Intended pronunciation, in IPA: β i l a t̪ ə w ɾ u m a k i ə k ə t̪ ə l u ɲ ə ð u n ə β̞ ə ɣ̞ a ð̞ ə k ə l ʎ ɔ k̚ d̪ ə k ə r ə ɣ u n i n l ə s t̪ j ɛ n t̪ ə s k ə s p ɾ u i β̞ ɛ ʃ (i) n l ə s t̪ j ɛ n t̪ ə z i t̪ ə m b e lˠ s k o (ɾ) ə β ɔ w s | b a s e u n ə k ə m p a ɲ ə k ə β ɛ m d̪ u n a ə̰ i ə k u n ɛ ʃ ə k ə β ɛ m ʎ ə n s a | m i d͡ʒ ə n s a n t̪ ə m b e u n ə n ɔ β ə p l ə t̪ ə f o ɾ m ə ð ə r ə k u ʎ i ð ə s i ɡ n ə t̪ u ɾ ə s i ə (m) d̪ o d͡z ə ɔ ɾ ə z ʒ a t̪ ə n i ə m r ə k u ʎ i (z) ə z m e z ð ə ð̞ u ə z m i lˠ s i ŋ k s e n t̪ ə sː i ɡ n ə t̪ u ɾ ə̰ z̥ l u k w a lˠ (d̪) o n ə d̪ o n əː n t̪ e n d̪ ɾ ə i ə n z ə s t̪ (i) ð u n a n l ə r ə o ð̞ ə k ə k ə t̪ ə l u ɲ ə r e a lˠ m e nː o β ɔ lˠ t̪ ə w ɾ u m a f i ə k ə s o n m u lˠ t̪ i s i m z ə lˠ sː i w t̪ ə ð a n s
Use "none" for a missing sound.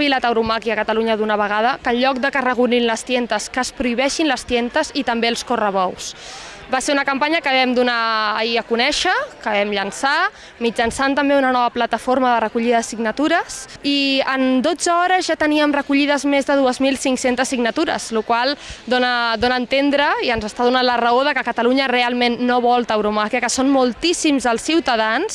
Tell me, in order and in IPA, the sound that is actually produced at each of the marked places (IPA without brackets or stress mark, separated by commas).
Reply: i, r, n, ð, d̪, a